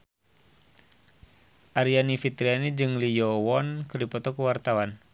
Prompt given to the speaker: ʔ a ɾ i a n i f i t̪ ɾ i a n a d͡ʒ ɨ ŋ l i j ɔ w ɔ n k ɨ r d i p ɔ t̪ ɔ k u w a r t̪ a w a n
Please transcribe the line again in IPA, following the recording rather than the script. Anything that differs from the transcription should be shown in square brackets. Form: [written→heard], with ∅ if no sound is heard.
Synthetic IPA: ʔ a ɾ i a n i f i t̪ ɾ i a n [a→i] d͡ʒ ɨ ŋ l i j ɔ w ɔ n k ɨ r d i p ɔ t̪ ɔ k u w a r t̪ a w a n

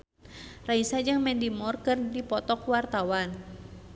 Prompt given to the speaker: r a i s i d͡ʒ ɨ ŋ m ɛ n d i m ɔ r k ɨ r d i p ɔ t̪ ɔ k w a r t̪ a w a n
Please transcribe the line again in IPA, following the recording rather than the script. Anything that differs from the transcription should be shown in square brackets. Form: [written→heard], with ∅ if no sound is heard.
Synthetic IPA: r a i s [i→a] d͡ʒ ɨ ŋ m ɛ n d i m ɔ r k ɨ r d i p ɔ t̪ ɔ k w a r t̪ a w a n

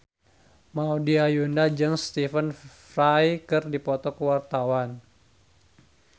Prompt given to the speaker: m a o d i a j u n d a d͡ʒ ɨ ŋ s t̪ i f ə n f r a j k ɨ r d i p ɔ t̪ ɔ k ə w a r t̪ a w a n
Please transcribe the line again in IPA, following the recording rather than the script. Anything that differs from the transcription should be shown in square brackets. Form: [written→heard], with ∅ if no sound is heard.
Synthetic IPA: m a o d i a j u n d a d͡ʒ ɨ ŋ s t̪ i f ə n f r a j k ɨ r d i p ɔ t̪ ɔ k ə w a r t̪ a w a n

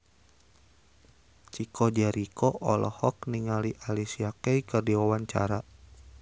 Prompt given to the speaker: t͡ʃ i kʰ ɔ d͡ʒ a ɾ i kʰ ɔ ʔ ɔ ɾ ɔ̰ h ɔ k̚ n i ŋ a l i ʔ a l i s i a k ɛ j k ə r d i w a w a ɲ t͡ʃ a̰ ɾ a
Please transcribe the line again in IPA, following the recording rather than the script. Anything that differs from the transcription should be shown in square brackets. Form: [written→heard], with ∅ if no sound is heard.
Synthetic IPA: t͡ʃ i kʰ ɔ d͡ʒ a ɾ i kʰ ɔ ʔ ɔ [ɾ→l] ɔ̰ h ɔ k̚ n i ŋ a l i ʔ a l i s i a k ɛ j k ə r d i w a w a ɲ t͡ʃ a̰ ɾ a

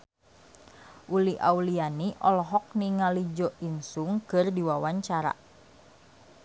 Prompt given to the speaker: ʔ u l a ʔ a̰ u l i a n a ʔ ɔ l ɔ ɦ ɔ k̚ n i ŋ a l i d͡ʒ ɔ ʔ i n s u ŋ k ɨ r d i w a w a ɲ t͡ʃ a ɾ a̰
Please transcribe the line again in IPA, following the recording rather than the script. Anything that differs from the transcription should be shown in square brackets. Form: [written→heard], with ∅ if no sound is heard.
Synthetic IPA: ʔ u l [a→i] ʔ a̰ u l i a n [a→i] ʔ ɔ l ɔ ɦ ɔ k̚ n i ŋ a l i d͡ʒ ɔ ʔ i n s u ŋ k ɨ r d i w a w a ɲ t͡ʃ a ɾ a̰

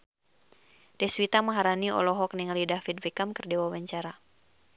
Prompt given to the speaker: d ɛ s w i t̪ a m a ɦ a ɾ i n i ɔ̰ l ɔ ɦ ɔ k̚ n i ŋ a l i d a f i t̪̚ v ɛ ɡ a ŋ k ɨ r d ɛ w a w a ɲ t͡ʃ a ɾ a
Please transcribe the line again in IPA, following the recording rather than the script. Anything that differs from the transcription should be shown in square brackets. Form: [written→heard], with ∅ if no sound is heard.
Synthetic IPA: d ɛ s w i t̪ a m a ɦ a ɾ [i→a] n i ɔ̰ l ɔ ɦ ɔ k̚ n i ŋ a l i d a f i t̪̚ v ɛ [ɡ→k] a [ŋ→m] k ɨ r d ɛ w a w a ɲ t͡ʃ a ɾ a

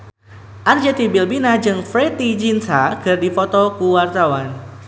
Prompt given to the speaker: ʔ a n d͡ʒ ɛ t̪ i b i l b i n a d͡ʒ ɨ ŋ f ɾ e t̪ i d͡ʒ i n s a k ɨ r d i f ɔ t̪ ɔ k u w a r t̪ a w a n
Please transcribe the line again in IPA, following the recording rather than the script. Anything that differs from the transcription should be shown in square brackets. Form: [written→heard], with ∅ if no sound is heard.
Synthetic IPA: ʔ a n d͡ʒ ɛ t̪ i b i l b i n a d͡ʒ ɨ ŋ f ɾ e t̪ i d͡ʒ i n s a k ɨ r d i f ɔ t̪ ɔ k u w a r t̪ a w a n

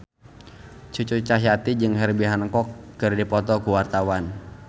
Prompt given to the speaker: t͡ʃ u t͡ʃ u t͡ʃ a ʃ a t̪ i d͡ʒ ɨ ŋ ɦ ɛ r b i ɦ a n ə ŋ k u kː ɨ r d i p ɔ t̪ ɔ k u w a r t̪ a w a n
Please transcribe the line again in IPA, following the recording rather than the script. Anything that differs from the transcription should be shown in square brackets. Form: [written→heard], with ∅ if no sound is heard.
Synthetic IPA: t͡ʃ u t͡ʃ u t͡ʃ a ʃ a t̪ i d͡ʒ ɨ ŋ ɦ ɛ r b i ɦ a n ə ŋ k [u→ɔ] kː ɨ r d i p ɔ t̪ ɔ k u w a r t̪ a w a n

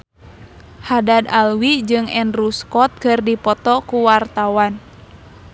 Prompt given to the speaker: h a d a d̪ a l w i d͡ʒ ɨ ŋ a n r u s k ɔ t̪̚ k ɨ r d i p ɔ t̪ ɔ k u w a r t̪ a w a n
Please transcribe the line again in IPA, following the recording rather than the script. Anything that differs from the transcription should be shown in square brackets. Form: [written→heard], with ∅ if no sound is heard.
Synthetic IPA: h a d a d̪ a l w i d͡ʒ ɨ ŋ [a→ɛ] n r u s k ɔ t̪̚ k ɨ r d i p ɔ t̪ ɔ k u w a r t̪ a w a n

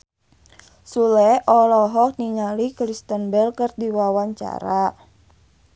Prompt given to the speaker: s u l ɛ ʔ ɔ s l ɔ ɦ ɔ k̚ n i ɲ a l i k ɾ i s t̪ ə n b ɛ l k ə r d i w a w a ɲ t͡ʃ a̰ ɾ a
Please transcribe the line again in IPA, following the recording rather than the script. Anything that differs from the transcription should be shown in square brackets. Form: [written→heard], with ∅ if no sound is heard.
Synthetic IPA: s u l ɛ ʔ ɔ [s→∅] l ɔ ɦ ɔ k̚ n i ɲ a l i k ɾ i s t̪ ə n b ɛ l k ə r d i w a w a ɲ t͡ʃ a̰ ɾ a

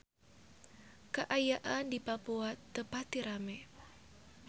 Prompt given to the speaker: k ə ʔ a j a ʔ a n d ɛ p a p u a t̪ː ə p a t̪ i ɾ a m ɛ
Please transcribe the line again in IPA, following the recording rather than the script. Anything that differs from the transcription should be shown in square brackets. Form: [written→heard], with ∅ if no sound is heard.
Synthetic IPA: k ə ʔ a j a ʔ a n d [ɛ→i] p a p u a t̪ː ə p a t̪ i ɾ a m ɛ

